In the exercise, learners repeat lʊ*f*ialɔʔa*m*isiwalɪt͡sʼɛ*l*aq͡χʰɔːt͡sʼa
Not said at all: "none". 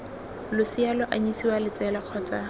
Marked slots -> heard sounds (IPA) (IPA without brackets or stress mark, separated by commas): s, ɲ, l